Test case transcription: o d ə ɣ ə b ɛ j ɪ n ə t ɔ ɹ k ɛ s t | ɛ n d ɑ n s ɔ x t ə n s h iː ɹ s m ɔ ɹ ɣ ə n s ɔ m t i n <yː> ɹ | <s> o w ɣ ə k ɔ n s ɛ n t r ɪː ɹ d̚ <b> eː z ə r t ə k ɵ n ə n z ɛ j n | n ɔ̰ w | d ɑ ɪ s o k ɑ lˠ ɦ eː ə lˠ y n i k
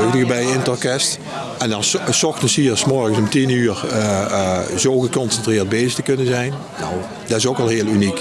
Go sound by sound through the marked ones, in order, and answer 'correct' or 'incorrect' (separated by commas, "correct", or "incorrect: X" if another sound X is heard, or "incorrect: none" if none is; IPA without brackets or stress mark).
correct, incorrect: z, correct